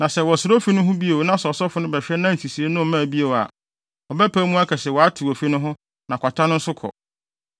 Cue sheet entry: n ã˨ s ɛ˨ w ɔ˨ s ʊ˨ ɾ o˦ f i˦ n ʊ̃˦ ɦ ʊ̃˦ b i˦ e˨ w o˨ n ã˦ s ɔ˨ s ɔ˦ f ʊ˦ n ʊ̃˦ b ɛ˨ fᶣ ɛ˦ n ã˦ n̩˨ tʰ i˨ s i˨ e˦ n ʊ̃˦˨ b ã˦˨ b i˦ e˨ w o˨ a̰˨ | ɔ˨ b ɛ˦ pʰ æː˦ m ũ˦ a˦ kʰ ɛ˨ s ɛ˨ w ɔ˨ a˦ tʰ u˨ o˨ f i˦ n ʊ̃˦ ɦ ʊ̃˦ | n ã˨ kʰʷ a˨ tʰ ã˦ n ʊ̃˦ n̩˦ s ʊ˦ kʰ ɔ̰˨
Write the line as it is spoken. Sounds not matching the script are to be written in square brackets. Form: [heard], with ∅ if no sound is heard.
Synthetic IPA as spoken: n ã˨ s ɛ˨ w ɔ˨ s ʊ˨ ɾ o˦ f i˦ n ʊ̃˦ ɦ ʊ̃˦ b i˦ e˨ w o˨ n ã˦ s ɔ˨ s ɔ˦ f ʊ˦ n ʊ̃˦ b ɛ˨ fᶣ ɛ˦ n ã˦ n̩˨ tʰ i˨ s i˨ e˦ n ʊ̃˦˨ [m] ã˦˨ b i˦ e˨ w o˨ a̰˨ | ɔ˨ b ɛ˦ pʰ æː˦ m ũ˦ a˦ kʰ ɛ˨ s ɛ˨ w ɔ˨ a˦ tʰ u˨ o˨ f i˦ n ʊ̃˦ ɦ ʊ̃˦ | n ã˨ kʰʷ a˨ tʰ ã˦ n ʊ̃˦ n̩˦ s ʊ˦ kʰ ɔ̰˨